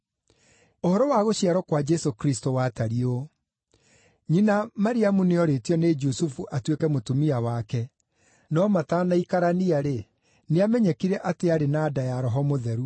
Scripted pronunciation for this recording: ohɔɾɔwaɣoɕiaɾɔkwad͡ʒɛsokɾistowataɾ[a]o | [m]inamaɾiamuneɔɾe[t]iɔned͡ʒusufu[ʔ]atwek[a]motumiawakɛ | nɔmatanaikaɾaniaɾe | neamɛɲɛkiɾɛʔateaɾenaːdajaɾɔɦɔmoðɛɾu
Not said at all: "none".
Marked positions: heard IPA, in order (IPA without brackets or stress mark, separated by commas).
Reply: i, ɲ, t, ʔ, ɛ